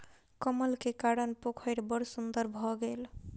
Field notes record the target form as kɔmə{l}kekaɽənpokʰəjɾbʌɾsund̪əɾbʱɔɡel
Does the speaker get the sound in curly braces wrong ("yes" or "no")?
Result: no